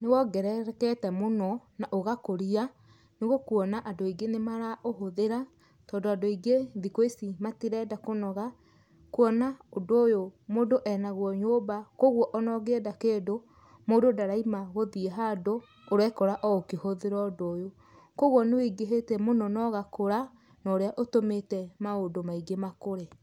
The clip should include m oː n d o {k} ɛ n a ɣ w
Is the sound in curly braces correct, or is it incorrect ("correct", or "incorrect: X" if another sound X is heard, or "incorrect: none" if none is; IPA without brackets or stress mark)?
incorrect: ʔ